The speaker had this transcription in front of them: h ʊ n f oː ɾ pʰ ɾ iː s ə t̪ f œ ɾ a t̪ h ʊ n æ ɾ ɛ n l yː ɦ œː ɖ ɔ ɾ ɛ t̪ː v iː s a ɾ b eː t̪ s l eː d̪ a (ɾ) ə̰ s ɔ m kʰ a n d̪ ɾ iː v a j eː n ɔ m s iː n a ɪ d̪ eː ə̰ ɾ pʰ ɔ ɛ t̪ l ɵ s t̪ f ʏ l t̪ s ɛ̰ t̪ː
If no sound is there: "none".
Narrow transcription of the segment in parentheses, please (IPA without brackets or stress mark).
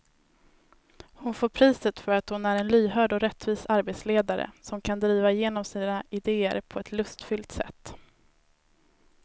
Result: ɾ